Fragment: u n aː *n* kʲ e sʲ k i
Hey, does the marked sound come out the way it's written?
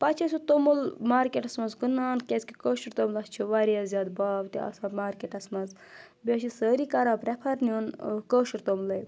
yes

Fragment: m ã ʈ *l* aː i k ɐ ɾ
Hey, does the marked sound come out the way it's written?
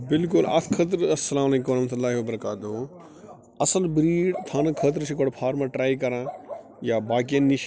no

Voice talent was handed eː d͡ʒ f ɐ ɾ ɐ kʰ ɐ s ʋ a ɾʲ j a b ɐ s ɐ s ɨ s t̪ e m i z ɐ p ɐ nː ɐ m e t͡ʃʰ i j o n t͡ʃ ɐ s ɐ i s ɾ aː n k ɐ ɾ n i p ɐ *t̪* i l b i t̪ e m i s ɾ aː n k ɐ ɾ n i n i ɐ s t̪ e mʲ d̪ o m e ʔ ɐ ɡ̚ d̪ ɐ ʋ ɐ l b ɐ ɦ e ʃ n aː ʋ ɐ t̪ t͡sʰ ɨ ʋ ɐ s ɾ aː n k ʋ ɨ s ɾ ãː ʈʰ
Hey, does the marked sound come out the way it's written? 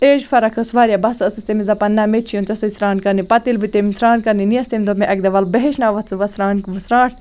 yes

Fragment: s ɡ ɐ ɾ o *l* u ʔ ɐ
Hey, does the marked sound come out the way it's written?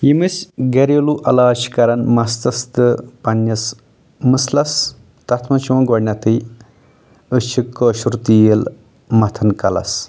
yes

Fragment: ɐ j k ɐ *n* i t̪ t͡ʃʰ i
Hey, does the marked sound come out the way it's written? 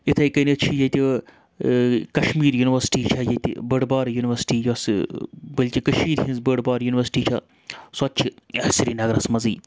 yes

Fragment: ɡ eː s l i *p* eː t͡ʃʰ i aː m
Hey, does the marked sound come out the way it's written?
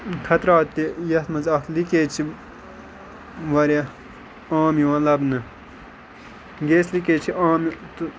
no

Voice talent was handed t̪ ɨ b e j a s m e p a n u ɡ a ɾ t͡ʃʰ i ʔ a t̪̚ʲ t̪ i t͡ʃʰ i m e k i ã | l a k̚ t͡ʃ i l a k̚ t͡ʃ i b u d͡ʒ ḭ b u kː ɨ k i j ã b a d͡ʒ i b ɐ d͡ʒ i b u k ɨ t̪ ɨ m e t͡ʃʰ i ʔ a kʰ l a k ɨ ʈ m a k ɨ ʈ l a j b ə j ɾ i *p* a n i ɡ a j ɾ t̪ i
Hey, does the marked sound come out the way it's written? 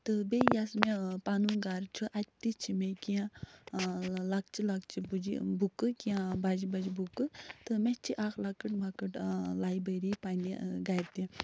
yes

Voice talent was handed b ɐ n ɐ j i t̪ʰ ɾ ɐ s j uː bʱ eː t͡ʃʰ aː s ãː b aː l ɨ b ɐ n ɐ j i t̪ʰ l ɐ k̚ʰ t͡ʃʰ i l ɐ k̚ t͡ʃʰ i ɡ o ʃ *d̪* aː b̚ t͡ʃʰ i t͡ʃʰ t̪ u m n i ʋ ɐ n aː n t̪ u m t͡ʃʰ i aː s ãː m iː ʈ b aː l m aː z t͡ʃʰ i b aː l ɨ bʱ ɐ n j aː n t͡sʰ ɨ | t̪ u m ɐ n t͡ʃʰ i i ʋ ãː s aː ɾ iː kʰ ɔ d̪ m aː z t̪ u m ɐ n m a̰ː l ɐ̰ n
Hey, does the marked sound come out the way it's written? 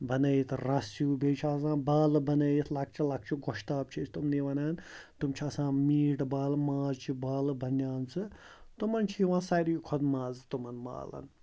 no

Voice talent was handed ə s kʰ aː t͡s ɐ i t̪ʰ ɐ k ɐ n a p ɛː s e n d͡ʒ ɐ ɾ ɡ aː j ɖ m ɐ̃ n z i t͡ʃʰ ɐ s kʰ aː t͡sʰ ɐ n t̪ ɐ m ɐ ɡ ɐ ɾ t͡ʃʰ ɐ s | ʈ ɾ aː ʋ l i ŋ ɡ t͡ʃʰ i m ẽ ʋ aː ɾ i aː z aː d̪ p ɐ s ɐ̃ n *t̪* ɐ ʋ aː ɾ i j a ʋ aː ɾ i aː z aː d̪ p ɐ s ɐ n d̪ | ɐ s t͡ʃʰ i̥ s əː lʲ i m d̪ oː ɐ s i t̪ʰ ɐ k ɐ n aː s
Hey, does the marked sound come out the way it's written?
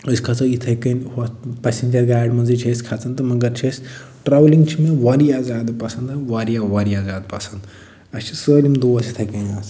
no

